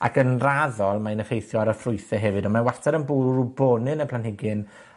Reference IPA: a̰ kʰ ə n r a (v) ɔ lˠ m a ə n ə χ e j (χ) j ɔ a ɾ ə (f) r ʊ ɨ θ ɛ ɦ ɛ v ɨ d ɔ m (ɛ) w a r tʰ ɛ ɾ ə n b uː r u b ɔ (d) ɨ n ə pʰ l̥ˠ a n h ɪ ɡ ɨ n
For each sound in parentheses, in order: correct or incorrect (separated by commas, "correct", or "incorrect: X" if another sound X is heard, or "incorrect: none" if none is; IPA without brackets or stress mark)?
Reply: incorrect: ð, incorrect: θ, correct, incorrect: a, incorrect: n